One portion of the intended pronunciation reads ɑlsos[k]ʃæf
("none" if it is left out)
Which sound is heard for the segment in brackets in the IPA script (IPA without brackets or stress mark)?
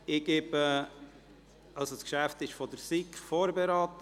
k